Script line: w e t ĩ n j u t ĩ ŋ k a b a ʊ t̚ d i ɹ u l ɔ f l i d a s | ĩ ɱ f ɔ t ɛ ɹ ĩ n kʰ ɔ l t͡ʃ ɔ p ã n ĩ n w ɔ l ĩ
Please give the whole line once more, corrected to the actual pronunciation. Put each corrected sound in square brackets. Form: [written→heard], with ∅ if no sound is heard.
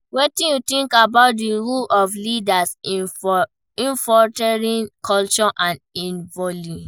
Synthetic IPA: w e t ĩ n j u t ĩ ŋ k a b a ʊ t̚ d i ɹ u l ɔ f l i d a s | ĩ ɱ f ɔ t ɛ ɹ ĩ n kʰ ɔ l t͡ʃ ɔ [p→ʔ] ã n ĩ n [w→v] ɔ l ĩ

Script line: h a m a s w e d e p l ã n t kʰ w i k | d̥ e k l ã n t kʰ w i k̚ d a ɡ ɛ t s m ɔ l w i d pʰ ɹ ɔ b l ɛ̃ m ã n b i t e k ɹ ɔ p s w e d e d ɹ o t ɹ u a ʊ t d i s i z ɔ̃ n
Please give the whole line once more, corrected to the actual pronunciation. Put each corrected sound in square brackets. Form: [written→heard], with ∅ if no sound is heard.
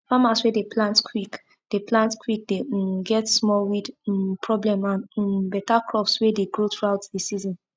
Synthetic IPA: [h→f] a m a s w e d e p l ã n t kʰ w i k | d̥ e [k→p] l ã n t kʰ w i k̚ d [a→e] ɡ ɛ t s m ɔ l w i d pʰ ɹ ɔ b l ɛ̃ m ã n b [i→ɛ] t [e→a] k ɹ ɔ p s w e d e [d→ɡ] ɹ o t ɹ u a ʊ t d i s i z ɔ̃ n

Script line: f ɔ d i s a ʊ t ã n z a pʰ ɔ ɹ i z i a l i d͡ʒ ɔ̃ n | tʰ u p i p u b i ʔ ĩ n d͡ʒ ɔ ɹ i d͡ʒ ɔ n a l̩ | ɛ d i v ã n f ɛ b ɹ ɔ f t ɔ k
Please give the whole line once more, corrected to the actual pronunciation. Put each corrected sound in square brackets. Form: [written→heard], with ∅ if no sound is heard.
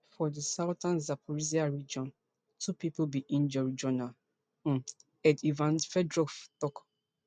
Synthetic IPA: f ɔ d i s a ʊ t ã n z a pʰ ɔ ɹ i z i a [l→ɹ] i d͡ʒ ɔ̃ n | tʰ u p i p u b i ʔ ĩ n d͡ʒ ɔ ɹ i d͡ʒ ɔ n a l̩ | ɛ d i v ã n f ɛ [b→d] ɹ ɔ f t ɔ k

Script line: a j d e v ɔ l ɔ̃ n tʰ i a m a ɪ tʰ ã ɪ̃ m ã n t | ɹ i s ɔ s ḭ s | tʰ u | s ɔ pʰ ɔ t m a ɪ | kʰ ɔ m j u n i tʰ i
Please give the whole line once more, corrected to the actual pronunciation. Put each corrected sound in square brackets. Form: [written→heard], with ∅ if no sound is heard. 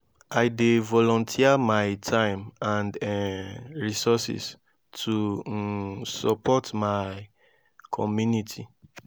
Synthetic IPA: a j d e v ɔ l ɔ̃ n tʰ i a m a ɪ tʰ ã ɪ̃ m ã n [t→d] | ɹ i s ɔ s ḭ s | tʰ u | s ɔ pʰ ɔ t m a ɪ | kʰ ɔ m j u n i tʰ i

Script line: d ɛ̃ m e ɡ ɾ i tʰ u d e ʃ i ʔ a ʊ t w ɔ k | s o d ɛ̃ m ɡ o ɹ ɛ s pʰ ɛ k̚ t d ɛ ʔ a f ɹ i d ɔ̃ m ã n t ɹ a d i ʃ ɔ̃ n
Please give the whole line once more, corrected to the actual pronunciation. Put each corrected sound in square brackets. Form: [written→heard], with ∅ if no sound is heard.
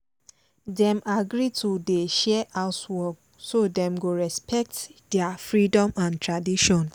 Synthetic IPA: d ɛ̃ m [e→a] ɡ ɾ i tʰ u d e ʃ [i→ɛ] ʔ a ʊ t w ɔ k | s o d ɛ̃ m ɡ o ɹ ɛ s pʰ ɛ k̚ t d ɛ [ʔ→∅] a f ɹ i d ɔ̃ m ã n t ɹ a d i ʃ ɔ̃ n

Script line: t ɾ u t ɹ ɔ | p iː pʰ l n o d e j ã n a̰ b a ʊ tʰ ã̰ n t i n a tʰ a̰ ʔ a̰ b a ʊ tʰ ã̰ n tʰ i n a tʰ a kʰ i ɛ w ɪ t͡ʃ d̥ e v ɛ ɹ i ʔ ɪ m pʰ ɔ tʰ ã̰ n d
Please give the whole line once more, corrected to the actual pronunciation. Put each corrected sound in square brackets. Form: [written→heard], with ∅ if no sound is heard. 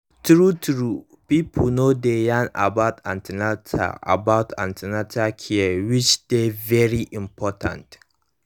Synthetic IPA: t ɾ u t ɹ [ɔ→u] | p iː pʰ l n o d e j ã n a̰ b a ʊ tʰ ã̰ n t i n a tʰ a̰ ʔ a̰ b a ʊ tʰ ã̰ n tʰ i n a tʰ a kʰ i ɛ w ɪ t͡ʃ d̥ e v ɛ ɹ i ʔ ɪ m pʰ ɔ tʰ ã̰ n [d→t]

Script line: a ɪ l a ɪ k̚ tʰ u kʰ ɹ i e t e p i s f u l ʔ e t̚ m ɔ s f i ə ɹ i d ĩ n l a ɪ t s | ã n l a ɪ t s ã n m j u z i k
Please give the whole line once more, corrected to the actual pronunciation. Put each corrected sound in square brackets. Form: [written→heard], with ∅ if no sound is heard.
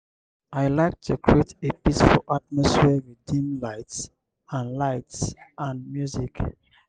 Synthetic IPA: a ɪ l a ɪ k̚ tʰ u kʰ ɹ i e t e p i s f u l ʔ [e→a] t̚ m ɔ s f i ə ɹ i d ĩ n l a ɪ t s | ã n l a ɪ t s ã n m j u z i k

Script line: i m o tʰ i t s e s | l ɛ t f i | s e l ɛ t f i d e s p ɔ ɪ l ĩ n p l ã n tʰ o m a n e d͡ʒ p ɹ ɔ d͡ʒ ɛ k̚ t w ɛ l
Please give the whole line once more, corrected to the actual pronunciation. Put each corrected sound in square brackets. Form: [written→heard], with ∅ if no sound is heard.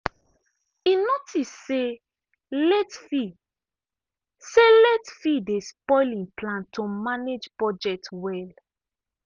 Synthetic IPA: i [m→n] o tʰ i [t→s] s e [s→∅] | l ɛ t f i | s e l ɛ t f i d e s p ɔ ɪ l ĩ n p l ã n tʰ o m a n e d͡ʒ p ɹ ɔ d͡ʒ ɛ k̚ t w ɛ l

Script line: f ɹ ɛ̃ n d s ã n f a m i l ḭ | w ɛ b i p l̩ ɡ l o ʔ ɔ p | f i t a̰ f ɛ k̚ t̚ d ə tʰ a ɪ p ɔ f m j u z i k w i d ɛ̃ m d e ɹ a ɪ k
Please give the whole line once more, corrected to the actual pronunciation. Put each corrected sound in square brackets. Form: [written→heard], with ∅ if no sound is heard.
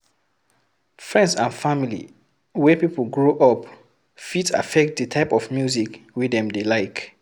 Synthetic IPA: f ɹ ɛ̃ n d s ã n f a m i l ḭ | w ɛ [b→p] i p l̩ ɡ [l→ɹ] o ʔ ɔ p | f i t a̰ f ɛ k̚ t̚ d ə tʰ a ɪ p ɔ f m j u z i k w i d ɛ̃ m d e [ɹ→l] a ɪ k

